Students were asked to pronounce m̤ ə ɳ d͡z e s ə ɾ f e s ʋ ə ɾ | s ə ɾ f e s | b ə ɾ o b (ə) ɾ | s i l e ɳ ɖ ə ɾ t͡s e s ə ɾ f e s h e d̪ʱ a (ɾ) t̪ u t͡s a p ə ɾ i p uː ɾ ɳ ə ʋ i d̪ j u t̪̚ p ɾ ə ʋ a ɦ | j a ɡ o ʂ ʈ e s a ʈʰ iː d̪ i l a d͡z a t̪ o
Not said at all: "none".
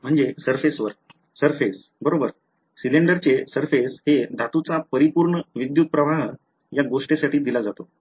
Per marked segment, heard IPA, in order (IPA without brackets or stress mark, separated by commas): ə, none